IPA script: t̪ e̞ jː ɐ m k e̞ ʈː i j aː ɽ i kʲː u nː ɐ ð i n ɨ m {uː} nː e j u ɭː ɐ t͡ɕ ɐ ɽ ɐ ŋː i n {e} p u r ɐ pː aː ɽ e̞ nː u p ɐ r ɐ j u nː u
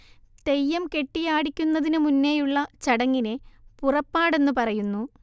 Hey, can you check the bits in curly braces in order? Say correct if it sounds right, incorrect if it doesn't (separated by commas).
incorrect, correct